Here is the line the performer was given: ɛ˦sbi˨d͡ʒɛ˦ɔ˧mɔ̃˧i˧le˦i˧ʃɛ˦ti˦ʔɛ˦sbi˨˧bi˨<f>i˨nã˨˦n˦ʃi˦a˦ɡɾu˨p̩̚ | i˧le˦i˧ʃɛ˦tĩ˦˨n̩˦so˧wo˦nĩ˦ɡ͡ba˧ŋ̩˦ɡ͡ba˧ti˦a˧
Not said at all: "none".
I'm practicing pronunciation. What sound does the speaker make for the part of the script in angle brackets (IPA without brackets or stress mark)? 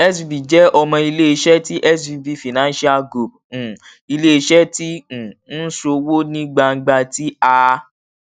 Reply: f